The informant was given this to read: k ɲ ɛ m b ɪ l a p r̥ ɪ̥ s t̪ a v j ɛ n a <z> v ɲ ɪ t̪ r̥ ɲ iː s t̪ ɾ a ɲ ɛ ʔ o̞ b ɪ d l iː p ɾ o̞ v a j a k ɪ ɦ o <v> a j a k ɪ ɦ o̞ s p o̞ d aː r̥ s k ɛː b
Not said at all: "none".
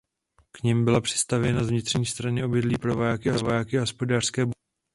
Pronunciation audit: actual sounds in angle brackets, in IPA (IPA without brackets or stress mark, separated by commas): z, v